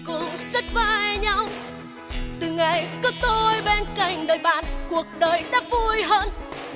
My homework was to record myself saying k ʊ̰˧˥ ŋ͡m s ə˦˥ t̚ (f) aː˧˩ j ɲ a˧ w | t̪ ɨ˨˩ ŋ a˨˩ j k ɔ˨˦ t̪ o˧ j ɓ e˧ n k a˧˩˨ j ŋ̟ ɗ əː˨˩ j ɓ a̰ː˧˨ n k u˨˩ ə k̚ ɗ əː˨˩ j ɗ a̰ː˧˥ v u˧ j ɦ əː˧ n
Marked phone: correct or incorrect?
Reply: incorrect: v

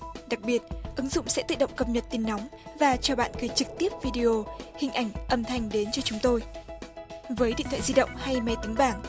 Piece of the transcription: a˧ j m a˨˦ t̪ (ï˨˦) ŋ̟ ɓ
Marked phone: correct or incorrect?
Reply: correct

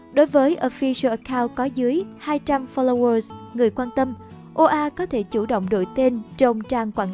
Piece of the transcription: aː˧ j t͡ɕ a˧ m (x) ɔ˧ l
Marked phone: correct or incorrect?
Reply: incorrect: f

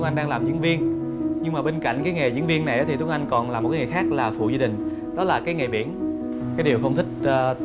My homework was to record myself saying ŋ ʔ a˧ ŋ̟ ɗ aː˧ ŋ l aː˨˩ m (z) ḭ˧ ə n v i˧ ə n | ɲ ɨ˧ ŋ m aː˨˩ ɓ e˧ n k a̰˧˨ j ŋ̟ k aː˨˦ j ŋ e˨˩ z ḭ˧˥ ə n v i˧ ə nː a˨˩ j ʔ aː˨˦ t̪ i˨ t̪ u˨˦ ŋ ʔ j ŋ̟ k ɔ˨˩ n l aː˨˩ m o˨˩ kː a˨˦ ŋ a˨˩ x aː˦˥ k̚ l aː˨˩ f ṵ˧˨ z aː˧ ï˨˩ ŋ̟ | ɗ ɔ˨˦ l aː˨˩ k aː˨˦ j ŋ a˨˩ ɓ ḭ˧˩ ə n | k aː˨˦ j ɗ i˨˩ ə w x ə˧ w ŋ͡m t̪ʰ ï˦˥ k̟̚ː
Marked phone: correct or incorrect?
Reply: correct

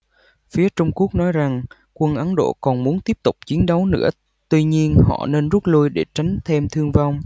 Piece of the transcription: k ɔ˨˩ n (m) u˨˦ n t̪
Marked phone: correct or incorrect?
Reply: correct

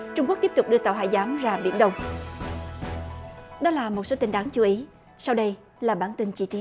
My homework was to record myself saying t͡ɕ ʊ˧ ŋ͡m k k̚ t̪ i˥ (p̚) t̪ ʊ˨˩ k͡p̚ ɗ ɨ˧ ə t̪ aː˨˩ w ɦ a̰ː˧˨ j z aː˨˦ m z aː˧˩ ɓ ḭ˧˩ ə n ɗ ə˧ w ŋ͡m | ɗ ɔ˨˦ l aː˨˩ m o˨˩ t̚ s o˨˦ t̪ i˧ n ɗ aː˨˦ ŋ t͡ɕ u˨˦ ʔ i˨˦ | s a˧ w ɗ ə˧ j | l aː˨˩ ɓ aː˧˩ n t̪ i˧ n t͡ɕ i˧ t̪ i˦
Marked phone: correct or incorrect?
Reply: correct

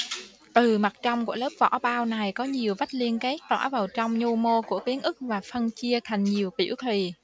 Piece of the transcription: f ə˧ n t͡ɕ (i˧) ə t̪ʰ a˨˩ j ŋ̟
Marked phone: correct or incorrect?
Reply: correct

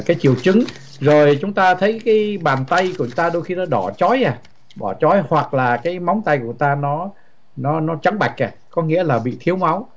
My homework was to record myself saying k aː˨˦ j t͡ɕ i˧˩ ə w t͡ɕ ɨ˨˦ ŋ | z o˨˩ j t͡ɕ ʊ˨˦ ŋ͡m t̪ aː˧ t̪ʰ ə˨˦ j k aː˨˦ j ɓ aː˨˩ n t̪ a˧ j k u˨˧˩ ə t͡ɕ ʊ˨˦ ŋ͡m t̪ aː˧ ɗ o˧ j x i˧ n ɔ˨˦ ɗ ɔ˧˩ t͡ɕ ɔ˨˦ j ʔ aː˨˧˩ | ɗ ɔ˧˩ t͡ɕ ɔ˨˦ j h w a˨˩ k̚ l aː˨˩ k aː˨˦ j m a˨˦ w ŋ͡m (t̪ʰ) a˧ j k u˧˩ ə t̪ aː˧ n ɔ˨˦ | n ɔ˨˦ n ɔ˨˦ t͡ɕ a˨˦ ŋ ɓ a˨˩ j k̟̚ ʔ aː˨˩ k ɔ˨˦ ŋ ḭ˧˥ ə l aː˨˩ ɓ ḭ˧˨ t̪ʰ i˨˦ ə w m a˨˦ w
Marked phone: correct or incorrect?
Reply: incorrect: t̪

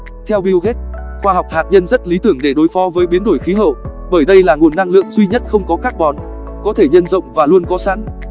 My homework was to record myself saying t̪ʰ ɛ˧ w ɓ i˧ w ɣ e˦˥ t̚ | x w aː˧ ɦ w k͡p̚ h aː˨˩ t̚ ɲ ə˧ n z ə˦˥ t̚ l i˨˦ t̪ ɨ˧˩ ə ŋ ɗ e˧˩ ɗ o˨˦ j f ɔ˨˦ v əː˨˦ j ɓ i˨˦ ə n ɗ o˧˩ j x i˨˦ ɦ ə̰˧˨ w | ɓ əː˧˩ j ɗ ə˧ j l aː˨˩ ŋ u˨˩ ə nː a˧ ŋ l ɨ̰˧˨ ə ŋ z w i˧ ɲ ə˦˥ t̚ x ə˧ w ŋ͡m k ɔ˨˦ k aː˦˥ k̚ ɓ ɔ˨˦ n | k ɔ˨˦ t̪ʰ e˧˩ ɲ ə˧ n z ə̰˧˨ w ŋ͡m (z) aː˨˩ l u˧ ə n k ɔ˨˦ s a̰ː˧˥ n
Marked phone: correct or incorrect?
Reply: incorrect: v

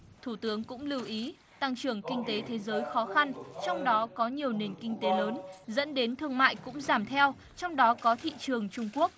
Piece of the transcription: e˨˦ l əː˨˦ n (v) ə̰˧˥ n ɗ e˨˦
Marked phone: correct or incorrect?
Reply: incorrect: z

